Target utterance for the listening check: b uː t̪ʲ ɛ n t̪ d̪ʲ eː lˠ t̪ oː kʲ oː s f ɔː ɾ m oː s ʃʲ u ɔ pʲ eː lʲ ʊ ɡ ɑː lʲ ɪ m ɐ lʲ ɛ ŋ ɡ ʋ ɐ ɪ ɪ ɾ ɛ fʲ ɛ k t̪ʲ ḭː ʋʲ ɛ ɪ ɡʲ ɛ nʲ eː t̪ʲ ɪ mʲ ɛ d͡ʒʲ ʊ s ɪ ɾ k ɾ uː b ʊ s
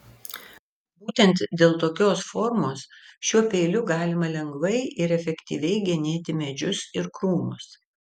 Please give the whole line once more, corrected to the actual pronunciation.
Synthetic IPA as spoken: b uː t̪ʲ ɛ n t̪ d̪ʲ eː lˠ t̪ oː kʲ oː s f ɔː ɾ m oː s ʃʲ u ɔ pʲ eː lʲ ʊ ɡ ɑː lʲ ɪ m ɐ lʲ ɛ ŋ ɡ ʋ ɐ ɪ ɪ ɾ ɛ fʲ ɛ k t̪ʲ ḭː ʋʲ ɛ ɪ ɡʲ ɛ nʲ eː t̪ʲ ɪ mʲ ɛ d͡ʒʲ ʊ s ɪ ɾ k ɾ uː m ʊ s